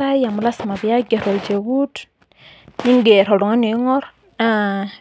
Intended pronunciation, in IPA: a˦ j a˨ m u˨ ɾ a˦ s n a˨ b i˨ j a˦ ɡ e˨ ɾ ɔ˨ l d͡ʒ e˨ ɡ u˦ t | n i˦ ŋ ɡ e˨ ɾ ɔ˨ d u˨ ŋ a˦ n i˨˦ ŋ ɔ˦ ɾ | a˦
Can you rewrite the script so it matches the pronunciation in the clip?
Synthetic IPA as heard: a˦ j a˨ m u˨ l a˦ s m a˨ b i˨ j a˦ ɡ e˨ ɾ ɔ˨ l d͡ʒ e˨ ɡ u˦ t | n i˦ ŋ ɡ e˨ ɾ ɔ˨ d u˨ ŋ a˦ n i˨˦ ŋ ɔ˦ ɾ | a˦